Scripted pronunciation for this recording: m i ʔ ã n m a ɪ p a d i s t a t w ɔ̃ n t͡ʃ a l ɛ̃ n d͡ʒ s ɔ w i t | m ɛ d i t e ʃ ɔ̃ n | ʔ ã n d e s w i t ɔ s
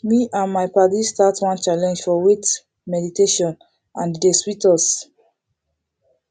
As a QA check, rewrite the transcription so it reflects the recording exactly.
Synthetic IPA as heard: m i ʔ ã n m a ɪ p a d i s t a t w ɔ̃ n t͡ʃ a l ɛ̃ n d͡ʒ f ɔ w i t | m ɛ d i t e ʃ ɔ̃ n | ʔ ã n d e s w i t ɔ s